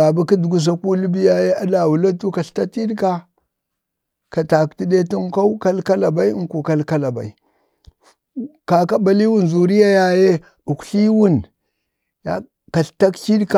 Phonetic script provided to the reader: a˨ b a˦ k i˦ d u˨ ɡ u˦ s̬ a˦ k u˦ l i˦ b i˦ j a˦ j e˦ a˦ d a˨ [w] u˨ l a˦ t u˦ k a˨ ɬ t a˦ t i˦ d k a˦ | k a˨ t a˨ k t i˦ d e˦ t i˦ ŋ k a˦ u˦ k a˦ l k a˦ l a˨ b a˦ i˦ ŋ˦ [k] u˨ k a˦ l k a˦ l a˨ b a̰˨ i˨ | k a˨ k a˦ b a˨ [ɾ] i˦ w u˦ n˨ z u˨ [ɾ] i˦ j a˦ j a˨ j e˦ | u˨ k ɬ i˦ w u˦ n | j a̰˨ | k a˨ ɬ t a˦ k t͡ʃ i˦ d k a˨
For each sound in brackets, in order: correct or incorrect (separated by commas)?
correct, correct, incorrect, correct